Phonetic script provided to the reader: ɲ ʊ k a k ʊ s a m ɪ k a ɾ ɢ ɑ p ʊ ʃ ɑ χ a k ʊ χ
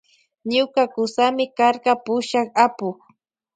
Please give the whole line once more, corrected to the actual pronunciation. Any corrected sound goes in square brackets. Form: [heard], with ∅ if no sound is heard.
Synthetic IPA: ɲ ʊ k a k ʊ s a m ɪ k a ɾ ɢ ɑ p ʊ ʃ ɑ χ a [p] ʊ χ